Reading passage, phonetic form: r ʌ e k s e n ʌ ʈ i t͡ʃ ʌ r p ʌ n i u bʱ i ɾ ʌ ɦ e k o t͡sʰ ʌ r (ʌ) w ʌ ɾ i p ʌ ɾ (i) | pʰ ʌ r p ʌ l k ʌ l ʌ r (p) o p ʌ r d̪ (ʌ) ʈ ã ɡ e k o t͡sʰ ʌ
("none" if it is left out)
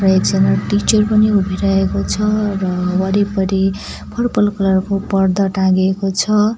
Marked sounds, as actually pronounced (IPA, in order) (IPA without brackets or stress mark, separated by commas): ʌ, i, k, ʌ